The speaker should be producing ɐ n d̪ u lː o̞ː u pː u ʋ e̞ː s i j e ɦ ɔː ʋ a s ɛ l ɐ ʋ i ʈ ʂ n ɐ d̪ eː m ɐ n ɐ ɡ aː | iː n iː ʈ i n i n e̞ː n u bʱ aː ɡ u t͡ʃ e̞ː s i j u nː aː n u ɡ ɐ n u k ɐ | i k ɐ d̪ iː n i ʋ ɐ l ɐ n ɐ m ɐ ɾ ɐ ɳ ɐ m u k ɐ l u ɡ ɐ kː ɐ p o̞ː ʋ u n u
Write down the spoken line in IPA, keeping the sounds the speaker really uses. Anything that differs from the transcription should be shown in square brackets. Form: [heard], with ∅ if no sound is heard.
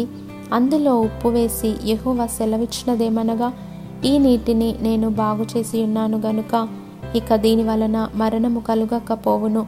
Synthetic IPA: ɐ n d̪ u [l] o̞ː u pː u ʋ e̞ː s i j e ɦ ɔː ʋ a s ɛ l ɐ ʋ i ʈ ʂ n ɐ d̪ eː m ɐ n ɐ ɡ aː | iː n iː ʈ i n i n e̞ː n u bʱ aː ɡ u t͡ʃ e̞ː s i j u nː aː n u ɡ ɐ n u k ɐ | i k ɐ d̪ iː n i ʋ ɐ l ɐ n ɐ m ɐ ɾ ɐ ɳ ɐ m u k ɐ l u ɡ ɐ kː ɐ p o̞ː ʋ u n u